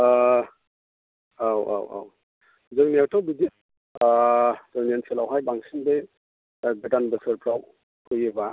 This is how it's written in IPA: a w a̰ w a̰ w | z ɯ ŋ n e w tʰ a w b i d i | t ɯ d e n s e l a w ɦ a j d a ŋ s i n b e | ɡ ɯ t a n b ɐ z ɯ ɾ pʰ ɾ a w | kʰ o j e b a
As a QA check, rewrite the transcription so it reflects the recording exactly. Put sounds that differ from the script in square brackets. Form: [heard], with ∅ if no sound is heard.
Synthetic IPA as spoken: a w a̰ w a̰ w | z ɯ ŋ n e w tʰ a w b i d i | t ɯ [n] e n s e l a w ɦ a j [b] a ŋ s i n b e | ɡ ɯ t a n b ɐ [s] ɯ ɾ pʰ ɾ a w | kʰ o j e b a